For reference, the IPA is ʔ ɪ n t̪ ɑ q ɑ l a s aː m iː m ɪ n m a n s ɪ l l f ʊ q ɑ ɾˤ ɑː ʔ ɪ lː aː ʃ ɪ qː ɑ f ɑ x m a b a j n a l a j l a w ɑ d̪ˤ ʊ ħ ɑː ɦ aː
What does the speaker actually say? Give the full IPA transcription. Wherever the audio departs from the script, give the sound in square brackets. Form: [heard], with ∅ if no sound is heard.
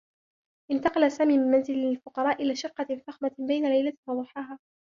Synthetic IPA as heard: ʔ ɪ n t̪ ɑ q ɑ l a s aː m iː m ɪ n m a n [z] ɪ l l f ʊ q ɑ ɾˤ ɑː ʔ ɪ [l] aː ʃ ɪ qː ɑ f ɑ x m a b a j n a l a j l a w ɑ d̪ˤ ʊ ħ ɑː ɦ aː